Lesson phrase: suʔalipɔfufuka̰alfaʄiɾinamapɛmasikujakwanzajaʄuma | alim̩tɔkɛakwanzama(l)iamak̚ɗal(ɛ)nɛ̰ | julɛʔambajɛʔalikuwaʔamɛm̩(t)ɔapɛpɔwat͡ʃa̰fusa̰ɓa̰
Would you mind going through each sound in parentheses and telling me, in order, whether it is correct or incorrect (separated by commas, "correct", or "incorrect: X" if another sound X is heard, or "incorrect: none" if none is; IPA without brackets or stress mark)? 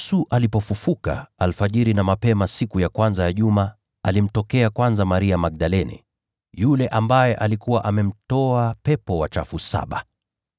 incorrect: ɾ, correct, correct